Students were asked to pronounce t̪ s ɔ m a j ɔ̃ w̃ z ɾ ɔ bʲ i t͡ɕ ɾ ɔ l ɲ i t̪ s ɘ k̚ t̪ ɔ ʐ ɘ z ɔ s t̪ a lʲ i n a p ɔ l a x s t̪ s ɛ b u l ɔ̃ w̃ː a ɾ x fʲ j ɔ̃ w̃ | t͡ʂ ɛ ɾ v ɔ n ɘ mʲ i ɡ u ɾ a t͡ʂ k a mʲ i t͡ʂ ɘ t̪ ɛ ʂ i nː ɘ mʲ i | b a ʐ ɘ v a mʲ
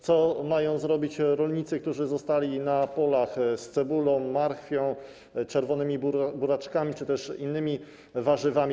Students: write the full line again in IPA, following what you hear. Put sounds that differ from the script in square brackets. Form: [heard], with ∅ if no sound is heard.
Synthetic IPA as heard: t̪ s ɔ m a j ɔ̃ w̃ z ɾ ɔ bʲ i t͡ɕ ɾ ɔ l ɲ i t̪ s ɘ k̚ t̪ [u] ʐ ɘ z ɔ s t̪ a lʲ i n a p ɔ l a x s t̪ s ɛ b u l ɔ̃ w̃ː a ɾ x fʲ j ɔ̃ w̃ | t͡ʂ ɛ ɾ v ɔ n ɘ mʲ i [b] u ɾ a t͡ʂ k a mʲ i t͡ʂ ɘ t̪ ɛ ʂ i nː ɘ mʲ i | [v] a ʐ ɘ v a mʲ